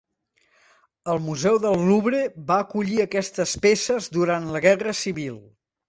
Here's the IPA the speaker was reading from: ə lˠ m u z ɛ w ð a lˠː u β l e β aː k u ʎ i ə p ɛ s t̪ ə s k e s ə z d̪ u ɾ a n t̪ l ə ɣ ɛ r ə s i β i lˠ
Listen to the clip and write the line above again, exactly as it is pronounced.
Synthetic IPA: ə lˠ m u z ɛ w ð ə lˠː u β ɾ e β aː k u ʎ i ə k ɛ s t̪ ə s p e s ə z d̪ u ɾ a n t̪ l ə ɣ ɛ r ə s i β i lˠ